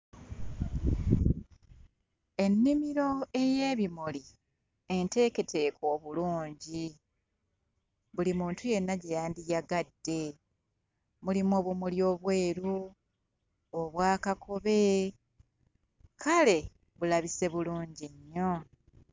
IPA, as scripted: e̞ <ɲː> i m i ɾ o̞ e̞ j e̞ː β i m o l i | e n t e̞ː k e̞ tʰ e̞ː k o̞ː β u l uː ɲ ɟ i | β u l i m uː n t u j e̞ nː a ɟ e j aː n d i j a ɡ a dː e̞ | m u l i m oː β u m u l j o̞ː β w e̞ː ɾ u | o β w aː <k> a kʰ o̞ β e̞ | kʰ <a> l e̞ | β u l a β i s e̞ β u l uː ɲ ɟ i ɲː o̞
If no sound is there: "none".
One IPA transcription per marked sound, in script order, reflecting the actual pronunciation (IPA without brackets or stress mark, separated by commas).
nː, k, a